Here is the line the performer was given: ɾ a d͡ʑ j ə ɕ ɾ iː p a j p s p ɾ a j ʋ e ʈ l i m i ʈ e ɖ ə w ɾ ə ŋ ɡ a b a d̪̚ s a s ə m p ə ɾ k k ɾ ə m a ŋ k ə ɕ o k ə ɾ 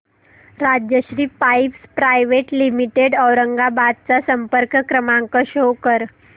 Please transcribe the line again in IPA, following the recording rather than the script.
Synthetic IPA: ɾ a d͡ʑ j ə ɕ ɾ iː p a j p s p ɾ a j ʋ e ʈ l i m i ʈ e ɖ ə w ɾ ə ŋ ɡ a b a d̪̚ t͡s a s ə m p ə ɾ k k ɾ ə m a ŋ k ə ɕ o k ə ɾ